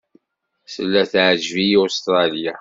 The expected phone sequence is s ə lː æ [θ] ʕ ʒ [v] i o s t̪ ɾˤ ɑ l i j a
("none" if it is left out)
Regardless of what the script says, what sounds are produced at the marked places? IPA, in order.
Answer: θ, v

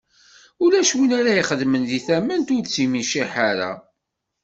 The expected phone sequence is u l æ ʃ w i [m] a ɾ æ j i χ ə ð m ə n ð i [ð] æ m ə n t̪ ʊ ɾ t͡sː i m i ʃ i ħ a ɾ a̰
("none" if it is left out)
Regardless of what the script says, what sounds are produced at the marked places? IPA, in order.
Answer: n, θ

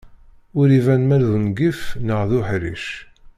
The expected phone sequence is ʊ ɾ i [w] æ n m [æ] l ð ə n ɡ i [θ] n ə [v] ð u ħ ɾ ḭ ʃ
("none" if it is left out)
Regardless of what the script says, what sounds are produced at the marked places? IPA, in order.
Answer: v, æ, f, ʁ

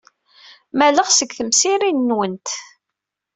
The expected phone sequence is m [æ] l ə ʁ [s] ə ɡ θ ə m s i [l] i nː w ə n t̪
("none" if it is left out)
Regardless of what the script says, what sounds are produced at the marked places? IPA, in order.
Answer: æ, s, ɾ

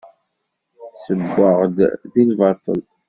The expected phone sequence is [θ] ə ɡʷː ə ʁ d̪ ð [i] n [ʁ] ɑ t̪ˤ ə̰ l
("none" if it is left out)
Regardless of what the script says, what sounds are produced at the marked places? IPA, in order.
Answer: s, i, v

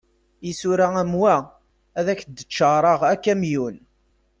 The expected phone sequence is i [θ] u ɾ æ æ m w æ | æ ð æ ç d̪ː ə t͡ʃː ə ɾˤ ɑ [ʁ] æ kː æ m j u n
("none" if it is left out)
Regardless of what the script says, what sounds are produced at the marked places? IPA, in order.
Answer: s, ʁ

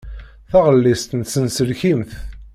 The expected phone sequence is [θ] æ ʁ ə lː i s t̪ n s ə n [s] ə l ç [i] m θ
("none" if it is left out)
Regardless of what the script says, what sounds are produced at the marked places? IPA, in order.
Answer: θ, s, i

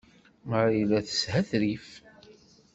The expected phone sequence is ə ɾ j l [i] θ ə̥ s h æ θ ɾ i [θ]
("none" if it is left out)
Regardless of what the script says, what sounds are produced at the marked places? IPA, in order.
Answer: æ, f

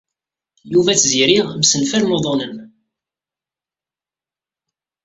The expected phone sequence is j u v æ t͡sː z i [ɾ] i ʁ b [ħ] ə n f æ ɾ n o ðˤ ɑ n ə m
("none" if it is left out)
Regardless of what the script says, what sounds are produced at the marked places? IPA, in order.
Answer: ɾ, s

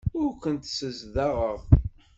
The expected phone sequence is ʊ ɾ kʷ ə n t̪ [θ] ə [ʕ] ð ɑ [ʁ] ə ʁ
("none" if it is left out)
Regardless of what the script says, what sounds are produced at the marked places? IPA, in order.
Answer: s, z, ʁ

